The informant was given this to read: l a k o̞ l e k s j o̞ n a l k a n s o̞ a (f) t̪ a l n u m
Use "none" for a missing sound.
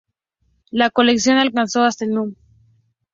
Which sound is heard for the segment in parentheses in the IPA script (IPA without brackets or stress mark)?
s